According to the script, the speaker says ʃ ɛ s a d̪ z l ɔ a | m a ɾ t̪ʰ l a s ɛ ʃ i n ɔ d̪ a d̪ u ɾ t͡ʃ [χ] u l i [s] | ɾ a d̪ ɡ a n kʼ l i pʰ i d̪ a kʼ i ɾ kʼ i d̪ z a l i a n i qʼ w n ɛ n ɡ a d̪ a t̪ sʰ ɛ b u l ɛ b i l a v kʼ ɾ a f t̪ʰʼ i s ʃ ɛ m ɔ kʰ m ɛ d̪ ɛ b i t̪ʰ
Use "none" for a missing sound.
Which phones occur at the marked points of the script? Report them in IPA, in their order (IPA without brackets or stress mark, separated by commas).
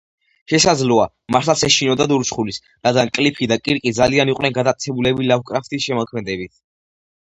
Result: χ, s